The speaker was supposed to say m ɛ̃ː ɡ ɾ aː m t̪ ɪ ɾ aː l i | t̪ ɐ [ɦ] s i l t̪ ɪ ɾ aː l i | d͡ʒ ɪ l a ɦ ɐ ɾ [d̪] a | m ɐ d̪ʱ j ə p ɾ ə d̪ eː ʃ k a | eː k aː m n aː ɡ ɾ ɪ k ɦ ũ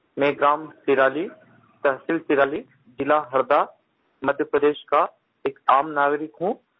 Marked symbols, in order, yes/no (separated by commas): yes, yes